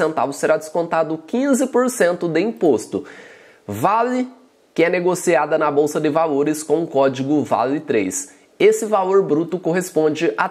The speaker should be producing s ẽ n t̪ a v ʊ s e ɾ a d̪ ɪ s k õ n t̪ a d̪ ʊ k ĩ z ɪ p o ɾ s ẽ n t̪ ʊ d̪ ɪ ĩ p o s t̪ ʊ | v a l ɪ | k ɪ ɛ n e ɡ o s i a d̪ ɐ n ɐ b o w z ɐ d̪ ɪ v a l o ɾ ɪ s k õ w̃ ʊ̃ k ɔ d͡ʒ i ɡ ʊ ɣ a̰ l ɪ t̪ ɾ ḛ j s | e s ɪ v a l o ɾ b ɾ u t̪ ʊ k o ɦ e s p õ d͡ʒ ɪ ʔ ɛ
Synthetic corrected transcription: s ẽ n t̪ a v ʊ s e ɾ a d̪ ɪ s k õ n t̪ a d̪ ʊ k ĩ z ɪ p o ɾ s ẽ n t̪ ʊ d̪ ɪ ĩ p o s t̪ ʊ | v a l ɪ | k ɪ ɛ n e ɡ o s i a d̪ ɐ n ɐ b o w s ɐ d̪ ɪ v a l o ɾ ɪ s k õ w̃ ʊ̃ k ɔ d͡ʒ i ɡ ʊ v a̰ l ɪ t̪ ɾ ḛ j s | e s ɪ v a l o ɾ b ɾ u t̪ ʊ k o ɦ e s p õ d͡ʒ ɪ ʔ a